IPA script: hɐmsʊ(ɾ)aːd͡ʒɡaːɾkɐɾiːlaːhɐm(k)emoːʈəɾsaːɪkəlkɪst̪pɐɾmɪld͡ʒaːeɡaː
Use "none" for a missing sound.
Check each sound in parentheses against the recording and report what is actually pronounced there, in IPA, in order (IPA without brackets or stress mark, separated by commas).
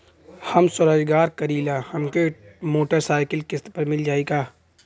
ɾ, k